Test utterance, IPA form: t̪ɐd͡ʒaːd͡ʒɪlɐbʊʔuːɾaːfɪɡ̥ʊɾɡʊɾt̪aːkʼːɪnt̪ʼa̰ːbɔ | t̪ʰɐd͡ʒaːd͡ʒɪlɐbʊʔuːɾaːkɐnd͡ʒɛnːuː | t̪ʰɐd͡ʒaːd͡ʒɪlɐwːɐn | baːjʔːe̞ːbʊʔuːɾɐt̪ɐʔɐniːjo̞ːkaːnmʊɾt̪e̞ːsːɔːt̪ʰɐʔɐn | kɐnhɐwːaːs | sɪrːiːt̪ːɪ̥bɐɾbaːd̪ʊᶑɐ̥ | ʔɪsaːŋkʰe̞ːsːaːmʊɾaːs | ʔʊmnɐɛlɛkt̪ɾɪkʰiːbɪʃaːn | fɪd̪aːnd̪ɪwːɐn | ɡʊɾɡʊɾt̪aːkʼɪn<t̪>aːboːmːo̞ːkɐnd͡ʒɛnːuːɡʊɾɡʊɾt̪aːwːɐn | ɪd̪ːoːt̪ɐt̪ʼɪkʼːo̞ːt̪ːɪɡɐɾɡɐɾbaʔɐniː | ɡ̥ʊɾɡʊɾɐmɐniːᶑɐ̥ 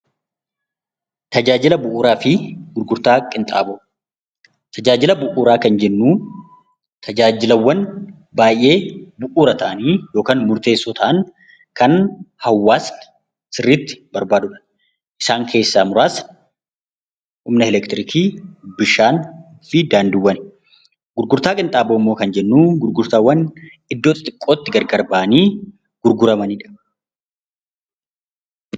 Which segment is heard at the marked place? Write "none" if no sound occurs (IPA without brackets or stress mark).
t̪ʼ